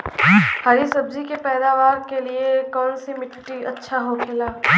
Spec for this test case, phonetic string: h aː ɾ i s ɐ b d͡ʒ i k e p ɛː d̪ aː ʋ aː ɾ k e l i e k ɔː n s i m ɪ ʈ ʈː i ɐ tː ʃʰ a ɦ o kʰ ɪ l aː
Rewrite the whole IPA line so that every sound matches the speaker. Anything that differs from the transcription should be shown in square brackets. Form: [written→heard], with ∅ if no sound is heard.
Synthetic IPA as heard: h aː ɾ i s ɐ b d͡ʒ i k e p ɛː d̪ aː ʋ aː ɾ k e l i e k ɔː n s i m ɪ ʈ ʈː i ɐ tː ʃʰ a ɦ o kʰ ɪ l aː